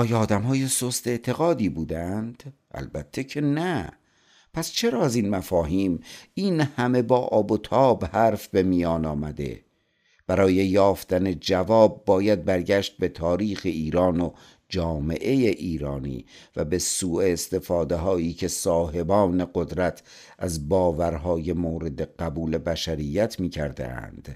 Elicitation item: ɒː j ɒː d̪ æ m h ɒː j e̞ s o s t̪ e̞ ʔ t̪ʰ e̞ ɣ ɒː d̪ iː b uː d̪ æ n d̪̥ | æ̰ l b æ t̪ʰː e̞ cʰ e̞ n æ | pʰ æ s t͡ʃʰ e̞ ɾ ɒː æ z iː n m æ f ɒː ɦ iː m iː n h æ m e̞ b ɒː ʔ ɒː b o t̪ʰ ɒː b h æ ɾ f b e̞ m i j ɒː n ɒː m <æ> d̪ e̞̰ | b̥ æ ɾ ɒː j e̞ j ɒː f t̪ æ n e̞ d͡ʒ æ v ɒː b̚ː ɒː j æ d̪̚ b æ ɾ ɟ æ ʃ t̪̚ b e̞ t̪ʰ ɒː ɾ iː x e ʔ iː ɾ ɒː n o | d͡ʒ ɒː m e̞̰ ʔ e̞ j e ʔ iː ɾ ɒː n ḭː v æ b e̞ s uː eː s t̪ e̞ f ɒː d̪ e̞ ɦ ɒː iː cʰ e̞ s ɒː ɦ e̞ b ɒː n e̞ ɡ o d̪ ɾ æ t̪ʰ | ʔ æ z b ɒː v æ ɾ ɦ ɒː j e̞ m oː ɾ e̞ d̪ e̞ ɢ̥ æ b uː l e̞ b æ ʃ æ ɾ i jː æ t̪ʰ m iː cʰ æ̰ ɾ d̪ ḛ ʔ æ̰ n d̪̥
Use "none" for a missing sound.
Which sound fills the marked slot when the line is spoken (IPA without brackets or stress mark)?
æ